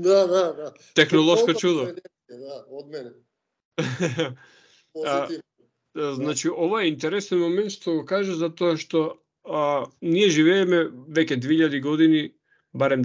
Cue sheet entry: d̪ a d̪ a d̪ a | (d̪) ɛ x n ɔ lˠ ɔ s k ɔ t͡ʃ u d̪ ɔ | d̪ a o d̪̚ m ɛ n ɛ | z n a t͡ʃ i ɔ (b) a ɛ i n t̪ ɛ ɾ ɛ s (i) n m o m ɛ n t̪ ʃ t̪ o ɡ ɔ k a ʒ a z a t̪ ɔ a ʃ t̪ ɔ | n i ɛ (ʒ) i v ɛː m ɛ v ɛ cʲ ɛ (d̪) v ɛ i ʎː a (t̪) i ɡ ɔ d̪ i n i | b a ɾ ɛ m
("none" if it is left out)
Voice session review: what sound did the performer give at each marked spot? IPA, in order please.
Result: t̪, v, ɛ, ʒ, d̪, d̪

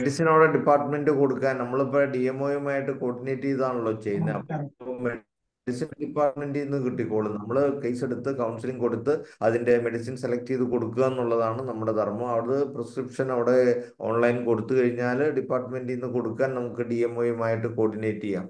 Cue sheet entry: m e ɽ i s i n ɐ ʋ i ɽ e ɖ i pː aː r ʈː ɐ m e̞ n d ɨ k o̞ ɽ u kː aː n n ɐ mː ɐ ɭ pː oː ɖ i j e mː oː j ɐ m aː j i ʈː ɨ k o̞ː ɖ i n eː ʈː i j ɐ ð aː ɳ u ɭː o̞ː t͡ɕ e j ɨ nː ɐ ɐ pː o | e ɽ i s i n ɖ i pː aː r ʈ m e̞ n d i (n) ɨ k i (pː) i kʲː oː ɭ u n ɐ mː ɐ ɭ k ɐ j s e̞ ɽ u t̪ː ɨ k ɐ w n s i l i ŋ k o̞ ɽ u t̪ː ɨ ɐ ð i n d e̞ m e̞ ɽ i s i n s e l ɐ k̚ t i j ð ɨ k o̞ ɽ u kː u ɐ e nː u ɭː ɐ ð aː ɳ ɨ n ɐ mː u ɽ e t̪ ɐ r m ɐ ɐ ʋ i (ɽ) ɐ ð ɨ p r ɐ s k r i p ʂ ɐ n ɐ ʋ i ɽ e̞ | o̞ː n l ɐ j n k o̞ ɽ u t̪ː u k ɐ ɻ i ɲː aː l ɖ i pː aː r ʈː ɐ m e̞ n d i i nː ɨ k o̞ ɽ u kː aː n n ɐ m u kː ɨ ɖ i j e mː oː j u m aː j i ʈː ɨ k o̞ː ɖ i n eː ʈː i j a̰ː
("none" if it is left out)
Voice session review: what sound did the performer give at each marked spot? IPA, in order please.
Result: nː, ʈː, ɽ

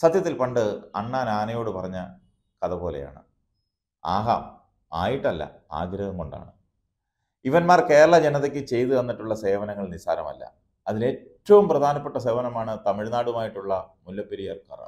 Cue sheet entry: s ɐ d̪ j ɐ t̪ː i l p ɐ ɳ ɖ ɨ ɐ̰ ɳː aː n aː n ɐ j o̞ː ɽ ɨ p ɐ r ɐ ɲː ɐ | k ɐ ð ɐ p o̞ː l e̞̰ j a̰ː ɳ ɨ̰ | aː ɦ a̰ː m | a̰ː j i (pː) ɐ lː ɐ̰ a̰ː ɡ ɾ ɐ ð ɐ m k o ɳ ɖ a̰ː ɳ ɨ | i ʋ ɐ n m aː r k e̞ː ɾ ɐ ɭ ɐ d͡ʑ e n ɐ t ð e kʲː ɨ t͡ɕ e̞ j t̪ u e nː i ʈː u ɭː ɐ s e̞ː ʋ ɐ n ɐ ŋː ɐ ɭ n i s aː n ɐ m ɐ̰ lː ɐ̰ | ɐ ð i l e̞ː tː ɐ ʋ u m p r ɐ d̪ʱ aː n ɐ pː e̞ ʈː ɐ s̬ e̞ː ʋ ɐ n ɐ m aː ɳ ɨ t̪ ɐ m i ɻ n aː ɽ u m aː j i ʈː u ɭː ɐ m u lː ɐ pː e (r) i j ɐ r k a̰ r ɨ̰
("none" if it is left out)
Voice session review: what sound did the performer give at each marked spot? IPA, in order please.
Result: ʈː, ɾ

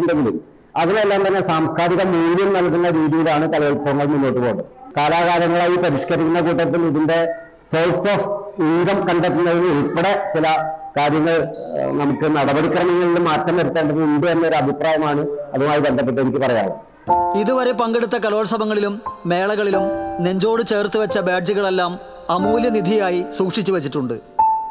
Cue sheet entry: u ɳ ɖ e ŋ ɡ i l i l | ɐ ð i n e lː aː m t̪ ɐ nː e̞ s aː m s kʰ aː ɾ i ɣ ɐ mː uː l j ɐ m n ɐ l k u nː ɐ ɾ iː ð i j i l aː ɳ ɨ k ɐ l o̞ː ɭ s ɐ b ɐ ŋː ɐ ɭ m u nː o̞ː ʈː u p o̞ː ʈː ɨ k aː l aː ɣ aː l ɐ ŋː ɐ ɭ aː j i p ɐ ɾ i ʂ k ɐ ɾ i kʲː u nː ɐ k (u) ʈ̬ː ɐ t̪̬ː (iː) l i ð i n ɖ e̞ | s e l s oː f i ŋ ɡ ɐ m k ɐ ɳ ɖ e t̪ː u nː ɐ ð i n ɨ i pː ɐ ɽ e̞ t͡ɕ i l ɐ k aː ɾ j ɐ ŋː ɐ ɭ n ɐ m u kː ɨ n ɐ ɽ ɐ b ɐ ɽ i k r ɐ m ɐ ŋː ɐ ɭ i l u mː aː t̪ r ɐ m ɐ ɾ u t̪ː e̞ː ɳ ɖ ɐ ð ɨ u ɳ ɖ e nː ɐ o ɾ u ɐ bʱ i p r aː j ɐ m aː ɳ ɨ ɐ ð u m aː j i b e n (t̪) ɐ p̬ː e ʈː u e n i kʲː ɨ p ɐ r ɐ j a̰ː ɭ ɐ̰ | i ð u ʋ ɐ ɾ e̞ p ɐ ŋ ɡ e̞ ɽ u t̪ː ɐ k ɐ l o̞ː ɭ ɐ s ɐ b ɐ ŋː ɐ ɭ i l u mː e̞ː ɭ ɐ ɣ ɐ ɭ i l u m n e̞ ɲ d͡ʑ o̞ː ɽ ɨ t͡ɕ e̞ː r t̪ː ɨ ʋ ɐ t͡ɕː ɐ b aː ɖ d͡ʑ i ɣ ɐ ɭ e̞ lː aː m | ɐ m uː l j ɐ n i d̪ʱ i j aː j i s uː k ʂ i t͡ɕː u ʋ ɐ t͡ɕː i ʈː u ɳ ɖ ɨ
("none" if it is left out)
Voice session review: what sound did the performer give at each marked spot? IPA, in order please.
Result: uː, i, d̪

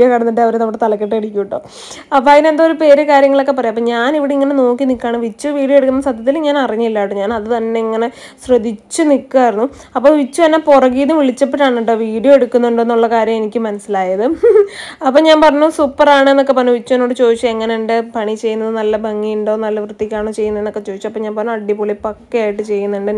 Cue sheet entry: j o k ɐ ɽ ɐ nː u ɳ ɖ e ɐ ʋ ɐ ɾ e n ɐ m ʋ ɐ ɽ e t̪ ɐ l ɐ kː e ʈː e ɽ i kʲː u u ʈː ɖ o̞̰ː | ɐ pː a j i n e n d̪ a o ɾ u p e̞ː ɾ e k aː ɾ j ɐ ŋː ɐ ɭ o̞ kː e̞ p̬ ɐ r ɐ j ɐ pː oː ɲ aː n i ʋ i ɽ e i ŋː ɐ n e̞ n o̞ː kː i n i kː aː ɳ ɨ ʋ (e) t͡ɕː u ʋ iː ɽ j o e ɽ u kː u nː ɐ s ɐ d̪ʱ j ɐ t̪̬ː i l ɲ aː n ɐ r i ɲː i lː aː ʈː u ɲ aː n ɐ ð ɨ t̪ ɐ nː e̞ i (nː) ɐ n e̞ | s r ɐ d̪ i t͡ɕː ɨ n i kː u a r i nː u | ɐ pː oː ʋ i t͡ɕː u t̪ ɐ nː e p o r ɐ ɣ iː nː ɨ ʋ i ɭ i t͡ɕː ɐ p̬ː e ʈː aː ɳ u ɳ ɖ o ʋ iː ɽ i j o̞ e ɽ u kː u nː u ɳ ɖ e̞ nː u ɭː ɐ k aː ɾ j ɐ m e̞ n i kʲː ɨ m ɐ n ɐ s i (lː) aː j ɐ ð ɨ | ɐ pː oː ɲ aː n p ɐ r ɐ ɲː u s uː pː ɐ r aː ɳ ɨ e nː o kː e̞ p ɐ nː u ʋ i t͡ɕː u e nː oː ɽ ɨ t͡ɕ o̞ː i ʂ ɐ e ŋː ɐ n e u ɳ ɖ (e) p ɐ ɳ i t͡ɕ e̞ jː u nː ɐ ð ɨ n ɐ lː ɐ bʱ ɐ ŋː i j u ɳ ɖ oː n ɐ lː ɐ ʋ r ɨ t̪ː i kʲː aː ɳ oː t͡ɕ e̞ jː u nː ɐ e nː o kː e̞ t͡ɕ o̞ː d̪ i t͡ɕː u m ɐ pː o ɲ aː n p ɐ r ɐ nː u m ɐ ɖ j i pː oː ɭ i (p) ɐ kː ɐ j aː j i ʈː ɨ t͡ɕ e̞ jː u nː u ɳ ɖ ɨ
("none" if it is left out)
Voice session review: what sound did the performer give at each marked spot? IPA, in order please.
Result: i, ŋː, l, e, p

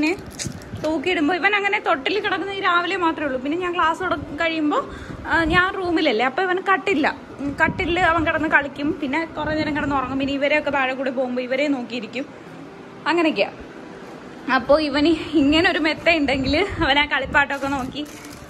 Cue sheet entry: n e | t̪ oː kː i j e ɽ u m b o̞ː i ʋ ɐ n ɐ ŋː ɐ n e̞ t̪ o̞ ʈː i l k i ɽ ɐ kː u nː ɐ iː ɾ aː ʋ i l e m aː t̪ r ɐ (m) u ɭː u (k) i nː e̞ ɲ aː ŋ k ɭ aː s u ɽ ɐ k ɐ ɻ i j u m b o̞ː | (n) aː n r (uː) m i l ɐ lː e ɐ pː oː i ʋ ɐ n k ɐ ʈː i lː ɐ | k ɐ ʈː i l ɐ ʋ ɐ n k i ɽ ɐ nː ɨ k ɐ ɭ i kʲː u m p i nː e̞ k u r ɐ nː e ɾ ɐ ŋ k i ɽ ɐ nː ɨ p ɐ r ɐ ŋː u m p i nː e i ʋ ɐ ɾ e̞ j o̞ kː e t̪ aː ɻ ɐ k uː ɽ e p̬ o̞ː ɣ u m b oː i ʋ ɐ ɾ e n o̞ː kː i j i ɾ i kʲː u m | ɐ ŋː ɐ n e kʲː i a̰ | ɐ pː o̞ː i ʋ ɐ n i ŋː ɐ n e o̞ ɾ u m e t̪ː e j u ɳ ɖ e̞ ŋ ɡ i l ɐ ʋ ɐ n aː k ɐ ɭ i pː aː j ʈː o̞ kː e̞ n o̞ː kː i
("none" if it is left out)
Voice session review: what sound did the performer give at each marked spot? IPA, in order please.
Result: m, p, ɲ, uː

